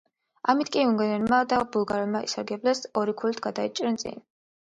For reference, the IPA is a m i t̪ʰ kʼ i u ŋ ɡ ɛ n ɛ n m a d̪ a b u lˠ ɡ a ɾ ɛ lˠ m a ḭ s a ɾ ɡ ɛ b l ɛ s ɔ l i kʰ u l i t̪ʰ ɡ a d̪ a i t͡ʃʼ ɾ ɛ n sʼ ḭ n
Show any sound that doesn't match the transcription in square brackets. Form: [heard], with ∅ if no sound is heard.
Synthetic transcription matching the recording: a m i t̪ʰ kʼ i u ŋ ɡ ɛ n ɛ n m a d̪ a b u lˠ ɡ a ɾ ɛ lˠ m a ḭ s a ɾ ɡ ɛ b l ɛ s ɔ [ɾ] i kʰ u l i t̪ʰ ɡ a d̪ a i t͡ʃʼ ɾ ɛ n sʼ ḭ n